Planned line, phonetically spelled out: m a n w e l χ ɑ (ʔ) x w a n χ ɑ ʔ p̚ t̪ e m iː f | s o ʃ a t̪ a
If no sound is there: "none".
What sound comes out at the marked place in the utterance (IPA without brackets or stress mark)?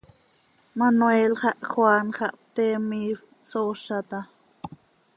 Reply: ʔ